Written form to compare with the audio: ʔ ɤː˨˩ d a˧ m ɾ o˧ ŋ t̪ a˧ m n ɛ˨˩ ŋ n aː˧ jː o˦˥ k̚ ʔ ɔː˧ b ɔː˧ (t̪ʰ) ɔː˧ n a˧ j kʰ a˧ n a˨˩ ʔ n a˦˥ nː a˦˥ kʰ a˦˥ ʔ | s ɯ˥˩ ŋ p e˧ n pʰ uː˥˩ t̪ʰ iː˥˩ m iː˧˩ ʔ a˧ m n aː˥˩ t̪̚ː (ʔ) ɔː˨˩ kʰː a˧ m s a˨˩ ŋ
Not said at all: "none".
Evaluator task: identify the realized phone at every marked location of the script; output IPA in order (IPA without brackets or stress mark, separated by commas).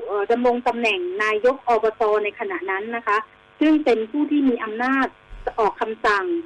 t̪, ʔ